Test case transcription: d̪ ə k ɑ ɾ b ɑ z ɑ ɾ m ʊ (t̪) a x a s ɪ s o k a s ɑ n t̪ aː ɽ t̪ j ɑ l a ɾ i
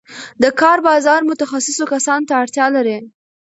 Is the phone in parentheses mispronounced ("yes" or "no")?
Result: no